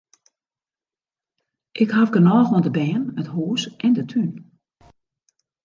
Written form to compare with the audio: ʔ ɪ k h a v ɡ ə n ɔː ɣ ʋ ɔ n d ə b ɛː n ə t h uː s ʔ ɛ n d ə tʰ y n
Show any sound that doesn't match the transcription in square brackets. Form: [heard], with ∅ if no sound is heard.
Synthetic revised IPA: ʔ ɪ k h a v ɡ ə n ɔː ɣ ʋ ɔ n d ə b ɛː n ə t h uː s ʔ ɛ n d ə tʰ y n